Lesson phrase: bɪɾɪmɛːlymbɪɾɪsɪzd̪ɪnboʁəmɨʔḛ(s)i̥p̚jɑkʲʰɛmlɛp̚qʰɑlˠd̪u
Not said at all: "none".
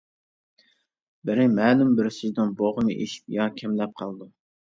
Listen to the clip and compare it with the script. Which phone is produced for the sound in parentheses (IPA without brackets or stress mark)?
ʃ